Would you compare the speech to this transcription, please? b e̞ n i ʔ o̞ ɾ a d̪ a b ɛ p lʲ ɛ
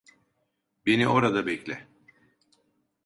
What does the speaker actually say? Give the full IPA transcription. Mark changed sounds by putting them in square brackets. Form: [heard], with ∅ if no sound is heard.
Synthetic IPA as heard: b e̞ n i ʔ o̞ ɾ a d̪ a b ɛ [c] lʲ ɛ